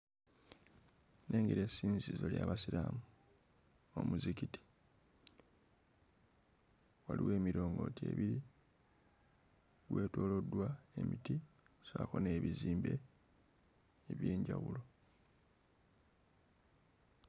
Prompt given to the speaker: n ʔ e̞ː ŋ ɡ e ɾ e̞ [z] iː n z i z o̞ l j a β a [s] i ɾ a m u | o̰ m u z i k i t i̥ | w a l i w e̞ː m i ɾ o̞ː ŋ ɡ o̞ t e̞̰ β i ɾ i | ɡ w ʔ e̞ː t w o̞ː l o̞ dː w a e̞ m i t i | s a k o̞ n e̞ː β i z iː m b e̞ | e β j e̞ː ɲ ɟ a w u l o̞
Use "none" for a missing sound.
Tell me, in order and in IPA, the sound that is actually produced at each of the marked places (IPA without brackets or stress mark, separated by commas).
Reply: s, s